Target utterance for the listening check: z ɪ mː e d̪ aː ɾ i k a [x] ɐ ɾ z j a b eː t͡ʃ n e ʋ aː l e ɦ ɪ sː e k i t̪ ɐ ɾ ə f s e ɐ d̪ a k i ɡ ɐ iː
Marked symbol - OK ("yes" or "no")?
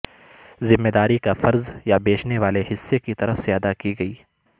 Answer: no